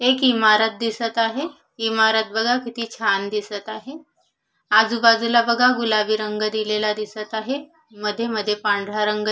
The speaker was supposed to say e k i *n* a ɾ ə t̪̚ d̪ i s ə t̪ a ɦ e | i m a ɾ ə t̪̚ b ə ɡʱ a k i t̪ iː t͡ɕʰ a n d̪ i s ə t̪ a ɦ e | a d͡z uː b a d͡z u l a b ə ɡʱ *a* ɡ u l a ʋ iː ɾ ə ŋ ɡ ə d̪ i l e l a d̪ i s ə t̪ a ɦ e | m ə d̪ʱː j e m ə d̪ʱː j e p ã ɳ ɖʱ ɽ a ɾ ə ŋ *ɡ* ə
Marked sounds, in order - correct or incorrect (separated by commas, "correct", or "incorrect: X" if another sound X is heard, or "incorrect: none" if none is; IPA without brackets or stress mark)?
incorrect: m, correct, correct